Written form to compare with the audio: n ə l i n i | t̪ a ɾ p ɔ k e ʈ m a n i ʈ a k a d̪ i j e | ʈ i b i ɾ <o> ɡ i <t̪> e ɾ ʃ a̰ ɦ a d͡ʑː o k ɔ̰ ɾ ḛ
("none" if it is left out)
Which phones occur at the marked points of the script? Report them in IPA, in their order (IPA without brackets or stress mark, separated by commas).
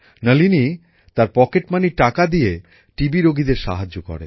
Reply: o, d̪